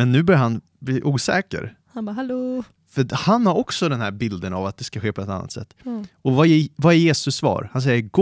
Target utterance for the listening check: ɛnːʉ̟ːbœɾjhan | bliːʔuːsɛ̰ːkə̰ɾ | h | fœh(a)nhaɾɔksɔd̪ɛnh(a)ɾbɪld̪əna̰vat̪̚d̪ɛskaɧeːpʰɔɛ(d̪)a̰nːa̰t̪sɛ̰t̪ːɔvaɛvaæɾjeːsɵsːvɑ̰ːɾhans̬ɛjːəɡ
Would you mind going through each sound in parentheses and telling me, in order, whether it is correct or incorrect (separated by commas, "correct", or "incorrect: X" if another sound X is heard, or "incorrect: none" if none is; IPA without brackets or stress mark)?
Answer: correct, incorrect: æ, incorrect: t̪